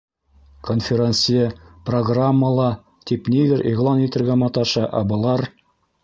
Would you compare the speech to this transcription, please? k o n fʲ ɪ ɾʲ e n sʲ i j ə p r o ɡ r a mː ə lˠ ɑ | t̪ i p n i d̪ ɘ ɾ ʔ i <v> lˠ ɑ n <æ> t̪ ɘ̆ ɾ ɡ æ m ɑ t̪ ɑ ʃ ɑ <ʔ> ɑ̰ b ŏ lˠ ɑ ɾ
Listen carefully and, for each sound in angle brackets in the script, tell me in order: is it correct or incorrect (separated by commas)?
incorrect, incorrect, correct